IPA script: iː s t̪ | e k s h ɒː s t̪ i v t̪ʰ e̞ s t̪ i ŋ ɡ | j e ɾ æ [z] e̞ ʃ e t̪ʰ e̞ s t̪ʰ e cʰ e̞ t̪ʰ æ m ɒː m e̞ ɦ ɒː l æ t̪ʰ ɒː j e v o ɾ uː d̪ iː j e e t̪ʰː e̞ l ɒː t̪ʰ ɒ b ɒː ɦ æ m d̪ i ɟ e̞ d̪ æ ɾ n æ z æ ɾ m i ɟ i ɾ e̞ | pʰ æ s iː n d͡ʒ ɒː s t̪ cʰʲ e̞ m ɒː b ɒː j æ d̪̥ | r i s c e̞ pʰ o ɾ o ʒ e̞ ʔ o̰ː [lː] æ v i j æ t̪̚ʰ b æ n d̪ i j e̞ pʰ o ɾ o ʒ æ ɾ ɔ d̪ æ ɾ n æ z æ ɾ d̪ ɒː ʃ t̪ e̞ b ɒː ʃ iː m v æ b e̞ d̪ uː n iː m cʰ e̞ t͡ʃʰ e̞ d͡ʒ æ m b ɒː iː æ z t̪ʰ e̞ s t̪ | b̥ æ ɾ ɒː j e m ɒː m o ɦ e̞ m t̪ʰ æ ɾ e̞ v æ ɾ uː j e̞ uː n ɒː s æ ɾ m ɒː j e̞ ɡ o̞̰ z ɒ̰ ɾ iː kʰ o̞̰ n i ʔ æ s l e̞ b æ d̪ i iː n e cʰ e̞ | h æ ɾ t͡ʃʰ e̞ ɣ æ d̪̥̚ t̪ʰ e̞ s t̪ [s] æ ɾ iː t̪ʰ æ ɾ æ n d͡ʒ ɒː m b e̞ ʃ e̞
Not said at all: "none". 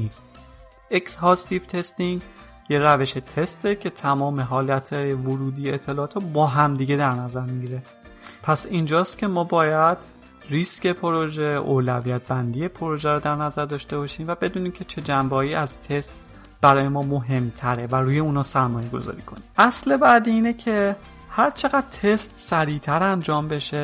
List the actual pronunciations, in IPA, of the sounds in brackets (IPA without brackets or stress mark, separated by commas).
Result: v, l, s